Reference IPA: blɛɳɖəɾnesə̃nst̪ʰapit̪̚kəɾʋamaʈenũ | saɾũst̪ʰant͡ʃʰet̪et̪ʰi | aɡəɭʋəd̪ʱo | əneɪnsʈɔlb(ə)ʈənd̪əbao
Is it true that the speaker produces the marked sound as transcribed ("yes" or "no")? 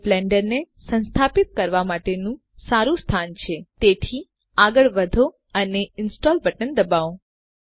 yes